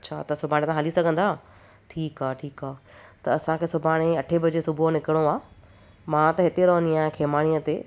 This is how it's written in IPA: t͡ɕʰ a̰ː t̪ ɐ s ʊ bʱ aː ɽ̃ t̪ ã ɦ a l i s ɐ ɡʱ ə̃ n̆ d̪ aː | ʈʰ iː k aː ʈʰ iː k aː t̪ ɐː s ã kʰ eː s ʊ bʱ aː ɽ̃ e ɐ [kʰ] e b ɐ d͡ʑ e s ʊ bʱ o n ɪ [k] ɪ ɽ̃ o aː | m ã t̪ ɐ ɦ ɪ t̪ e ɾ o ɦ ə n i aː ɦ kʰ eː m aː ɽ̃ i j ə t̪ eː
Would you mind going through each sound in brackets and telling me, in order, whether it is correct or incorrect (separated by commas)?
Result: incorrect, correct